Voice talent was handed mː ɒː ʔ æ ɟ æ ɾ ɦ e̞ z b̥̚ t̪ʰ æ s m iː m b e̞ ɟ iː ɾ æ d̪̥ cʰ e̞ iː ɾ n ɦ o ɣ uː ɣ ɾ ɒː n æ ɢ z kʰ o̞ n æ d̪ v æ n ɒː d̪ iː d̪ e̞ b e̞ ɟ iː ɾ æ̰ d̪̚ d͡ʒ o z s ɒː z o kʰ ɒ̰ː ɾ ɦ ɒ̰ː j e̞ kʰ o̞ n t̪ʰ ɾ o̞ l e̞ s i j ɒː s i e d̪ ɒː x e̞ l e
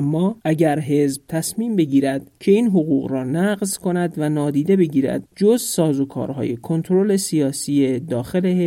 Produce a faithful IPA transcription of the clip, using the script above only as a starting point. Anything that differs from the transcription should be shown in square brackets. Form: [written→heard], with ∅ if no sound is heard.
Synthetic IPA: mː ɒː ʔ æ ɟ æ ɾ ɦ e̞ z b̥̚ t̪ʰ æ s m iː m b e̞ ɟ iː ɾ æ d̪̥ cʰ e̞ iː [ɾ→∅] n ɦ o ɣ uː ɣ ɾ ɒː n æ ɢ z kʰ o̞ n æ d̪ v æ n ɒː d̪ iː d̪ e̞ b e̞ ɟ iː ɾ æ̰ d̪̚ d͡ʒ o z s ɒː z o kʰ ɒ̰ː ɾ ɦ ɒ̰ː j e̞ kʰ o̞ n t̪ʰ ɾ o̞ l e̞ s i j ɒː s i e d̪ ɒː x e̞ l e